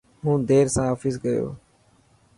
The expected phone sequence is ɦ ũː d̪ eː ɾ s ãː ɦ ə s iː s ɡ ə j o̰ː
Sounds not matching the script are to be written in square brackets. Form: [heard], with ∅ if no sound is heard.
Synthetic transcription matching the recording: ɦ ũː d̪ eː ɾ s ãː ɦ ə [f] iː s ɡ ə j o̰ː